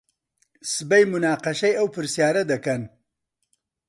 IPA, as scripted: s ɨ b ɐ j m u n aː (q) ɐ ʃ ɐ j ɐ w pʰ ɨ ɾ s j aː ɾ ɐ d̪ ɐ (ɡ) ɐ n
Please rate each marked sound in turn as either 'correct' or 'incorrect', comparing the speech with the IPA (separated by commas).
correct, incorrect